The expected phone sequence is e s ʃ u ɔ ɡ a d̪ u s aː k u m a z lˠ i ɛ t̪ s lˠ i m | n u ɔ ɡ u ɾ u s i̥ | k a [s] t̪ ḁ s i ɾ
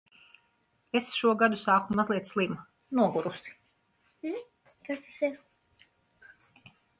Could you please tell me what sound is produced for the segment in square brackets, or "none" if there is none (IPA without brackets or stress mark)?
s